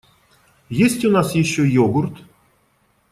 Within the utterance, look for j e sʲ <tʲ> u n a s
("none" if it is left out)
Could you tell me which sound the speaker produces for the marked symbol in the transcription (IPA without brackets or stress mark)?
tʲ